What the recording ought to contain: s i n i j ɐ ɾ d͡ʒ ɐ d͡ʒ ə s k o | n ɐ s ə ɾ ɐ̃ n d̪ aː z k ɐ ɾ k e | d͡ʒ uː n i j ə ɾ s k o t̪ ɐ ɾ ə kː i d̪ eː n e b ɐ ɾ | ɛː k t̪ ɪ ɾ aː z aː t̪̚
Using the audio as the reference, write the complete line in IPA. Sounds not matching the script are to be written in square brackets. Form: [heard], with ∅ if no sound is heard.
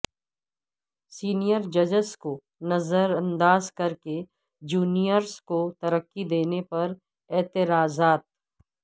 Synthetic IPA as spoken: s [iː] n i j [ə] ɾ d͡ʒ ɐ d͡ʒ ə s k o | n ɐ [z] ə ɾ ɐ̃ n d̪ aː z k ɐ ɾ k e | d͡ʒ uː n i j ə ɾ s k o t̪ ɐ ɾ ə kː i d̪ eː n e [p] ɐ ɾ | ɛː [∅] t̪ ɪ ɾ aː z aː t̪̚